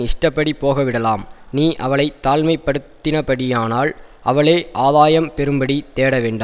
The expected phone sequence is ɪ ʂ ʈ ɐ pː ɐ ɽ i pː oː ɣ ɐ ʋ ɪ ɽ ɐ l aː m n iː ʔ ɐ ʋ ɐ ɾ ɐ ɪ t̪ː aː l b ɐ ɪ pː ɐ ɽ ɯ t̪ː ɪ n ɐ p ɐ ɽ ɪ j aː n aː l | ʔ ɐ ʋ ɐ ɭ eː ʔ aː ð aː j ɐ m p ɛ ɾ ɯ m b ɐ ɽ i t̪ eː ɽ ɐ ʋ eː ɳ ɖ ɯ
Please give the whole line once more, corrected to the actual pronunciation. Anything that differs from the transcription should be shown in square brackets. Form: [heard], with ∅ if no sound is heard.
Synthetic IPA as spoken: ɪ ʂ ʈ ɐ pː ɐ ɽ i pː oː ɣ ɐ ʋ ɪ ɽ ɐ l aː m n iː ʔ ɐ ʋ ɐ [ɭ] ɐ ɪ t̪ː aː l [m] ɐ ɪ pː ɐ ɽ ɯ t̪ː ɪ n ɐ p ɐ ɽ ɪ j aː n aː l | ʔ ɐ ʋ ɐ ɭ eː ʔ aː ð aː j ɐ m p ɛ ɾ ɯ m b ɐ ɽ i t̪ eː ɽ ɐ ʋ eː ɳ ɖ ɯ